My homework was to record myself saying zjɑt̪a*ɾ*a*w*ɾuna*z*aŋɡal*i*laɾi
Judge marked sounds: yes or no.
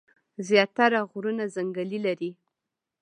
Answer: yes, no, yes, yes

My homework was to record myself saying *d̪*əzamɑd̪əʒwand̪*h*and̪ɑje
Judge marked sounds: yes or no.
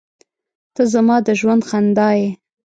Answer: no, no

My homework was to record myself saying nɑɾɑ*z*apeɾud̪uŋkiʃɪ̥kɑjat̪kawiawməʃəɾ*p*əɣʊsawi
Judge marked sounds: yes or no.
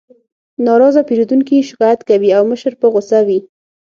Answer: yes, yes

